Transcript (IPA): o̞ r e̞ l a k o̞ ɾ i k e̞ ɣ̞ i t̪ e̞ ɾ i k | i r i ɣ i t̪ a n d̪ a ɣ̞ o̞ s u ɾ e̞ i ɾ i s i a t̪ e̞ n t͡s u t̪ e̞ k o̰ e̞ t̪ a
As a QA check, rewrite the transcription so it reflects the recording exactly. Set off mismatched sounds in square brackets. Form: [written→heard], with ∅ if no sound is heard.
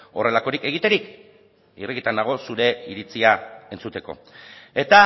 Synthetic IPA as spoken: o̞ r e̞ l a k o̞ ɾ i k e̞ ɣ̞ i t̪ e̞ ɾ i k | i r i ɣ i t̪ a n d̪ a ɣ̞ o̞ s u ɾ e̞ i ɾ i [s→t͡s] i a [t̪→∅] e̞ n t͡s u t̪ e̞ k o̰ e̞ t̪ a